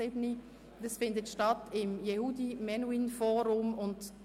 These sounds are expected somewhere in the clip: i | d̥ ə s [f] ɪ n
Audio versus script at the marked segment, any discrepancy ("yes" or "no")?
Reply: no